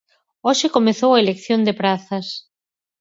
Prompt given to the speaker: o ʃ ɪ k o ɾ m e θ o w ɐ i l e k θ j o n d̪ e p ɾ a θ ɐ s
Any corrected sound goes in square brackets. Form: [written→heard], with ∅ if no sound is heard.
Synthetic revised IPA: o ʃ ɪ k o [ɾ→∅] m e θ o w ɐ [i→e] l e k θ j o n d̪ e p ɾ a θ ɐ s